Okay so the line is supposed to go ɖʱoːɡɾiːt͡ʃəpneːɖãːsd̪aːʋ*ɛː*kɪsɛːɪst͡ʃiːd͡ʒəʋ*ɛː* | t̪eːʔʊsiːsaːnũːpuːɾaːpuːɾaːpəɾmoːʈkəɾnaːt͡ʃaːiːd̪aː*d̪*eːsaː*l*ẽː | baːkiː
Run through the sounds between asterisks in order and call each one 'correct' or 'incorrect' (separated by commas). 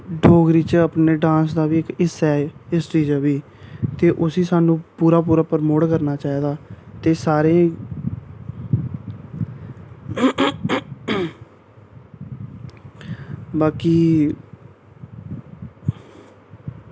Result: incorrect, incorrect, incorrect, incorrect